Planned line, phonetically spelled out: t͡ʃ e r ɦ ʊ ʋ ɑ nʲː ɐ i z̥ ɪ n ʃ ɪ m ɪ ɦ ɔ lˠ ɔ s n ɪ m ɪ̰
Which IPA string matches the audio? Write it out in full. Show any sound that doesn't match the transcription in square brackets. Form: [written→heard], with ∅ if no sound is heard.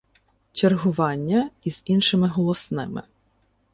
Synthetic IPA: t͡ʃ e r ɦ ʊ ʋ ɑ nʲː ɐ i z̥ [ɪ→i] n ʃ ɪ m ɪ ɦ ɔ lˠ ɔ s n ɪ m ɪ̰